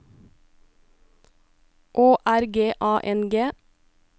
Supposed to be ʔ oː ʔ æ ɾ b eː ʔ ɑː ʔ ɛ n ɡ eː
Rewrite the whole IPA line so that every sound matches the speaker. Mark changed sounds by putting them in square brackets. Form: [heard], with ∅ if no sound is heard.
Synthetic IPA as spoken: ʔ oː ʔ æ ɾ [ɡ] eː ʔ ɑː ʔ ɛ n ɡ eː